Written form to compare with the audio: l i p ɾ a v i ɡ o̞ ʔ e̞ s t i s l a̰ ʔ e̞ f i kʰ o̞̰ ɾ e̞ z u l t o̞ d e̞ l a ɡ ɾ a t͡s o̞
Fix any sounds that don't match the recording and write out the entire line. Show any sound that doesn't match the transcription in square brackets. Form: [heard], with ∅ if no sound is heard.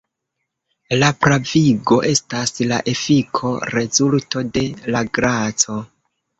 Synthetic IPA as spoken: l [a] p ɾ a v i ɡ o̞ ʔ e̞ s t [a] s l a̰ ʔ e̞ f i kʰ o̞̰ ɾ e̞ z u l t o̞ d e̞ l a ɡ ɾ a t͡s o̞

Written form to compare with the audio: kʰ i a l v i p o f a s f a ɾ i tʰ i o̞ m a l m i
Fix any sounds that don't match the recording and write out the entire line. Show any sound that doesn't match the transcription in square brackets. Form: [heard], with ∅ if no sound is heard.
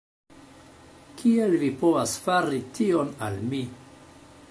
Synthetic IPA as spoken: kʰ i [e] l v i p o [v] a s f a ɾ i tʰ i o̞ [n] a l m i

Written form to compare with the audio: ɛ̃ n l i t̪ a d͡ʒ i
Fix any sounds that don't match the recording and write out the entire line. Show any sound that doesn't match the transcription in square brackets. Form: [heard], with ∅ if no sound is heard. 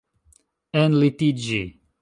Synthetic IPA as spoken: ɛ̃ n l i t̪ [i] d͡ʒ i

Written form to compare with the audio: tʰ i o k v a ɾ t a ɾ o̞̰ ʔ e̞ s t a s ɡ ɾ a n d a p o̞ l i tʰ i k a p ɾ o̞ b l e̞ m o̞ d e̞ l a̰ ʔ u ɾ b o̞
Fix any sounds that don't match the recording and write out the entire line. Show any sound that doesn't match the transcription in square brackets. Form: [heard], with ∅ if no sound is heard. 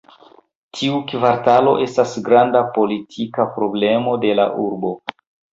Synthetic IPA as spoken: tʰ i [u] k v a ɾ t a [l] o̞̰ ʔ e̞ s t a s ɡ ɾ a n d a p o̞ l i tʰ i k a p ɾ o̞ b l e̞ m o̞ d e̞ l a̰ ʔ u ɾ b o̞

